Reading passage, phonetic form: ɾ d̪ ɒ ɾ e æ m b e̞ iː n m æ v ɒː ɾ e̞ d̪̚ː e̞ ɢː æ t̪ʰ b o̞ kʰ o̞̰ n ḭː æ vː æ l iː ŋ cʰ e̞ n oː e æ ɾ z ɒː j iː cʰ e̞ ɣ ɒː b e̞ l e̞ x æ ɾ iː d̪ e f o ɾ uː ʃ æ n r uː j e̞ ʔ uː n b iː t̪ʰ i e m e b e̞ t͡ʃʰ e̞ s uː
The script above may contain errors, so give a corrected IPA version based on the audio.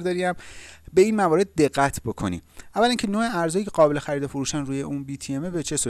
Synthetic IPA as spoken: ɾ d̪ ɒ ɾ i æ m b e̞ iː n m æ v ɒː ɾ e̞ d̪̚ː e̞ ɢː æ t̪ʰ b o̞ kʰ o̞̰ n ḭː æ vː æ l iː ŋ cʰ e̞ n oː e æ ɾ z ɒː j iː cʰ e̞ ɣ ɒː b e̞ l e̞ x æ ɾ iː d̪ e f o ɾ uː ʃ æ n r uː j e̞ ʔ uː n b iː t̪ʰ i e m e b e̞ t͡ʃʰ e̞ s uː